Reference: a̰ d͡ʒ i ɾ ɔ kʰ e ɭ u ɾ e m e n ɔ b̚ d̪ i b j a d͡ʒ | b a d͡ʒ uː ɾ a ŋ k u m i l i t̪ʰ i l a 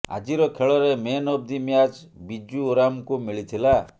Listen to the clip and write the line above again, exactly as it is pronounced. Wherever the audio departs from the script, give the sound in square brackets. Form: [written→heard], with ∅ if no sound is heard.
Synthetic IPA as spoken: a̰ d͡ʒ i ɾ ɔ kʰ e ɭ [u→ɔ] ɾ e m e n ɔ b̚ d̪ i [b→m] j a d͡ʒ | b [a→i] d͡ʒ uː ɾ a [ŋ→m] k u m i [l→ɭ] i t̪ʰ i l a